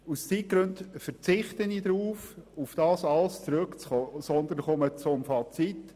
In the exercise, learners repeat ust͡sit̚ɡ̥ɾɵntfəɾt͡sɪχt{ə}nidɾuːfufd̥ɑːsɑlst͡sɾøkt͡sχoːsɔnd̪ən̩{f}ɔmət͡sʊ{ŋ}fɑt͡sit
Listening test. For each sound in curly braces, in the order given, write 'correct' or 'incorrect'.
correct, incorrect: χ, incorrect: m

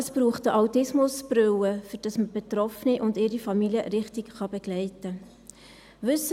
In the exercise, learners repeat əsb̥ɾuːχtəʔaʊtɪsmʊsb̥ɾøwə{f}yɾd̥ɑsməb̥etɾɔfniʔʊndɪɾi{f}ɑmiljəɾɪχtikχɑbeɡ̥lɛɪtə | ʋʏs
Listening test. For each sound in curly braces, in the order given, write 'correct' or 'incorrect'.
correct, correct

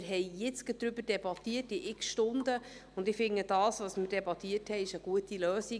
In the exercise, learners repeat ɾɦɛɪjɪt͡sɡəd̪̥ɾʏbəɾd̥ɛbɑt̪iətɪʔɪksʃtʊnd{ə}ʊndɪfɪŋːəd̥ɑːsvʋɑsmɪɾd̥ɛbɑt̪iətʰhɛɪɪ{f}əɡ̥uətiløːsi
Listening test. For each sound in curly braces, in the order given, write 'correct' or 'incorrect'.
correct, incorrect: ʃ

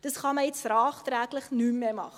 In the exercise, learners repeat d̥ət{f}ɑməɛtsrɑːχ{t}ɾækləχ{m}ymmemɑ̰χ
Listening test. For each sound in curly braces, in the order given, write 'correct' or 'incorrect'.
incorrect: χ, correct, incorrect: n

